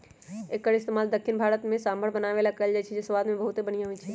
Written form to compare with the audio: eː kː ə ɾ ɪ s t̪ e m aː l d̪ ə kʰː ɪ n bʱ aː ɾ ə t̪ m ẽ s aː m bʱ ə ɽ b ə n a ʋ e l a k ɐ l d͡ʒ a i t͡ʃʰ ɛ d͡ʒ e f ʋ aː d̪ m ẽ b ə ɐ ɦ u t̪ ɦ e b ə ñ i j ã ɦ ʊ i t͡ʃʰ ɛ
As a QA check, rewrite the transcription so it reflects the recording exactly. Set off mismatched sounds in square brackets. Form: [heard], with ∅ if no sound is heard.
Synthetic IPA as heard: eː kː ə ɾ ɪ s t̪ e m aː l d̪ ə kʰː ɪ n bʱ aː ɾ ə t̪ m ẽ s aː m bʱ ə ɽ b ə n a ʋ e l a k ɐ l d͡ʒ a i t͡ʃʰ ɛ d͡ʒ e [s] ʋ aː d̪ m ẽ b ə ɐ ɦ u t̪ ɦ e b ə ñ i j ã ɦ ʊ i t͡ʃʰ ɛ